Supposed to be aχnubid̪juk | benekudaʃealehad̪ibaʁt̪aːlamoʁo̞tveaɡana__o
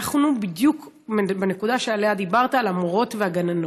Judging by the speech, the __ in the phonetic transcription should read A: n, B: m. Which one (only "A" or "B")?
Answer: A